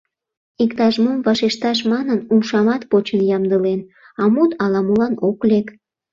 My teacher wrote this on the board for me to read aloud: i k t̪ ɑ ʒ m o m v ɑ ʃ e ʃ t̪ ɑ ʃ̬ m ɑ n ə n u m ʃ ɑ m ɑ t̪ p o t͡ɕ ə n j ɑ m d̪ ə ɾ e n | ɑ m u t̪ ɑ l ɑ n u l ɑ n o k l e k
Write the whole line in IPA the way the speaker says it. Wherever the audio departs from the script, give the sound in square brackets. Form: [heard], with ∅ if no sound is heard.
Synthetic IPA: i k t̪ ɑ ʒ m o m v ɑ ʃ e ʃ t̪ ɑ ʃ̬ m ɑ n ə n u m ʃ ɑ m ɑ t̪ p o t͡ɕ ə n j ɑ m d̪ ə [l] e n | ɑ m u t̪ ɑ l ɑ [m] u l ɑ n o k l e k